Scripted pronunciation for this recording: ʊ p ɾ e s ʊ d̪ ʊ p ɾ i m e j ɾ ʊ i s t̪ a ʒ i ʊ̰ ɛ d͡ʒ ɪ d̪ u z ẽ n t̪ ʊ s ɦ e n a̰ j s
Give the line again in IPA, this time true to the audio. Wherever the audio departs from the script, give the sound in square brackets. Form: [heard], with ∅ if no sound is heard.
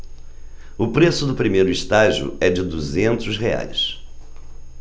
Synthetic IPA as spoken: ʊ p ɾ e s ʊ d̪ ʊ p ɾ i m e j ɾ ʊ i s t̪ a ʒ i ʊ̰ ɛ d͡ʒ ɪ d̪ u z ẽ n t̪ ʊ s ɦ e [∅] a̰ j s